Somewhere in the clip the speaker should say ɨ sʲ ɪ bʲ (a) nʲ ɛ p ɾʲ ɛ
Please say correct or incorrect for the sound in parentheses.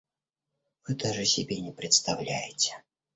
incorrect